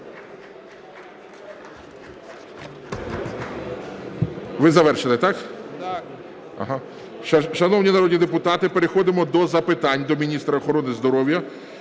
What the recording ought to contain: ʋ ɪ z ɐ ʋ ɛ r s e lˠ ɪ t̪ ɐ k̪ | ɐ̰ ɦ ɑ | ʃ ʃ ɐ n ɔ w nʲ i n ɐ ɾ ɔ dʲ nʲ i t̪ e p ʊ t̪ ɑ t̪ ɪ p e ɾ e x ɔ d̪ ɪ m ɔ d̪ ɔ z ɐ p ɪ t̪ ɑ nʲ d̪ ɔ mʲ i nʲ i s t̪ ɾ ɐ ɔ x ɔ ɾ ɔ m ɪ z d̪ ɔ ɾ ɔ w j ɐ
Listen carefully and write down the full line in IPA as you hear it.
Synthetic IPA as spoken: ʋ ɪ z ɐ ʋ ɛ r ʃ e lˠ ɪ t̪ ɑ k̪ | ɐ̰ ɦ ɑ | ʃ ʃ ɐ n ɔ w nʲ i n ɐ ɾ ɔ dʲ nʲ i d̪ e p ʊ t̪ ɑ t̪ ɪ p e ɾ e x ɔ d̪ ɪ m ɔ d̪ ɔ z ɐ p ɪ t̪ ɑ nʲ d̪ ɔ mʲ i nʲ i s t̪ ɾ ɐ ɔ x ɔ ɾ ɔ n ɪ z d̪ ɔ ɾ ɔ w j ɐ